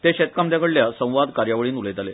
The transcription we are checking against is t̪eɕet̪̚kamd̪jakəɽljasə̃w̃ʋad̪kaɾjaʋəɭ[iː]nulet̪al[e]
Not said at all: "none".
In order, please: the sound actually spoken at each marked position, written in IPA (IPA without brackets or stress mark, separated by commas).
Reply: iː, e